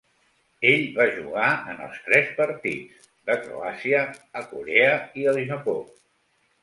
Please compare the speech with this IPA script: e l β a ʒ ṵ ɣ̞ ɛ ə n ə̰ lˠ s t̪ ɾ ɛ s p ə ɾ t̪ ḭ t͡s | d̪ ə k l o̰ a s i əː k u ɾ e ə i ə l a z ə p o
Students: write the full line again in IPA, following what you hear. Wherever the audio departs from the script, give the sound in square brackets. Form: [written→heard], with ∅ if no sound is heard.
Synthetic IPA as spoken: e [l→ʎ] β a ʒ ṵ ɣ̞ [ɛ→a] ə n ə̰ lˠ s t̪ ɾ ɛ s p ə ɾ t̪ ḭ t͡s | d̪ ə k [l→ɾ] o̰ a s i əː k u ɾ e ə i ə l [a→i] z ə p o